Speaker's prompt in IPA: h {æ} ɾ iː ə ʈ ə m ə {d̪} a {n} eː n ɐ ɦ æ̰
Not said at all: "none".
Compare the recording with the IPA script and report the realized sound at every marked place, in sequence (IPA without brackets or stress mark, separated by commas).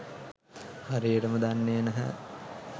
a, d̪, nː